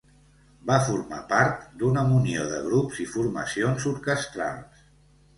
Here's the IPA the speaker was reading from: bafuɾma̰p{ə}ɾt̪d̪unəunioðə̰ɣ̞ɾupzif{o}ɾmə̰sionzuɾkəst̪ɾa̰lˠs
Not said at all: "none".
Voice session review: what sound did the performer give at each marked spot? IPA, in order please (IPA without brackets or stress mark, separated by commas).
a, u